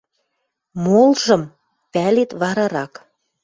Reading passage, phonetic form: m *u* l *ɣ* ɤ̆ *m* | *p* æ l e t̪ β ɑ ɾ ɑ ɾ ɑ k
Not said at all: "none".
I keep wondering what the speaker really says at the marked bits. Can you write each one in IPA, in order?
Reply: o, ʒ, m, p

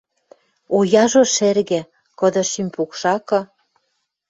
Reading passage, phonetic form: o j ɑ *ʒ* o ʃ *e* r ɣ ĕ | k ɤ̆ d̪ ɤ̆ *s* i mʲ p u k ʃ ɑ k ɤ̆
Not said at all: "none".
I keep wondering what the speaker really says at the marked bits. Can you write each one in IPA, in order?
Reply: ʒ, e, ʃ

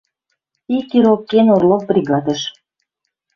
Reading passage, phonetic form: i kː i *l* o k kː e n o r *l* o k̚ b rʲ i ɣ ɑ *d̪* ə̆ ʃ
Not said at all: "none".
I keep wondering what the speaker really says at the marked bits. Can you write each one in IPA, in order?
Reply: ɾ, l, d̪

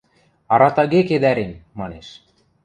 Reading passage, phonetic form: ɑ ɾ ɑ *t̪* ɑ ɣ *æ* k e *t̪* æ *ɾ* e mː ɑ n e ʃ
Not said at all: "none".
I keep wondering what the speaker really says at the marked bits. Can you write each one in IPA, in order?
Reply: t̪, e, d̪, ɾ

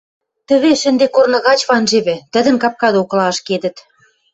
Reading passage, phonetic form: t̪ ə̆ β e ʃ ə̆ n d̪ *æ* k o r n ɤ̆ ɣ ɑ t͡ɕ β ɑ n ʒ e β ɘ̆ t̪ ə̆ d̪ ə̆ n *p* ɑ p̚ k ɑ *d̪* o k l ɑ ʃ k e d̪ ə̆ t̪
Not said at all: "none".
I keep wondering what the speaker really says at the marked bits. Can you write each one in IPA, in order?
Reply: e, k, d̪

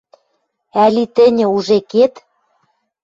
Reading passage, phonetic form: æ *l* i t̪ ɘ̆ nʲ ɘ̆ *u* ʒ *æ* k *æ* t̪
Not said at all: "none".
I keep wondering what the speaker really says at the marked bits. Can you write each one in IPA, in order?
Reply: l, u, e, e

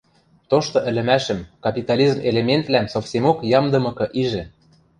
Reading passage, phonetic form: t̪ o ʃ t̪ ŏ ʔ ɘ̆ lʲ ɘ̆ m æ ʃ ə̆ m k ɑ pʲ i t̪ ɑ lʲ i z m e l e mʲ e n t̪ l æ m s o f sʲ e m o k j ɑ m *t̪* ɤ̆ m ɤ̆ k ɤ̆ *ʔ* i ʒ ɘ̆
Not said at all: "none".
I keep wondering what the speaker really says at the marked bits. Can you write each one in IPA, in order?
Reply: d̪, ʔ

